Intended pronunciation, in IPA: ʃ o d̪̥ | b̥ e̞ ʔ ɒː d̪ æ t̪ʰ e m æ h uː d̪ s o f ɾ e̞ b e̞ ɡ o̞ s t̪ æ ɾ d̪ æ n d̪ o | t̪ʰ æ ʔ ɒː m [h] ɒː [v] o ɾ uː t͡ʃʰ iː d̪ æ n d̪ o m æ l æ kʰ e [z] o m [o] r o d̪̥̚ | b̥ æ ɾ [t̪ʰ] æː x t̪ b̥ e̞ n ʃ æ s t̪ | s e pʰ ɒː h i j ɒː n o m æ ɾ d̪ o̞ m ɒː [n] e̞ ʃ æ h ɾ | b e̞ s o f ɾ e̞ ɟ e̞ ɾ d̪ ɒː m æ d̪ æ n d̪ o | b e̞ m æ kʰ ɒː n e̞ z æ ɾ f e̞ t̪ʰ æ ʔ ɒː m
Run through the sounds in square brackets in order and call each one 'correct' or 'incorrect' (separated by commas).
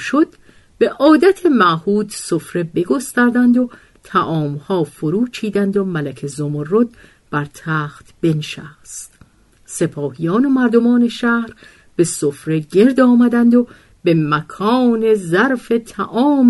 correct, incorrect, correct, correct, correct, correct